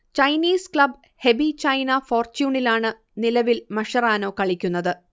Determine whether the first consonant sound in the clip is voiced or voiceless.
voiceless